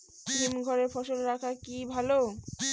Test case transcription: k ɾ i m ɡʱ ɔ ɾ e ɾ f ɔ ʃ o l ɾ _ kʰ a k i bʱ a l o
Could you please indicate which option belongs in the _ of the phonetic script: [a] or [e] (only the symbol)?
a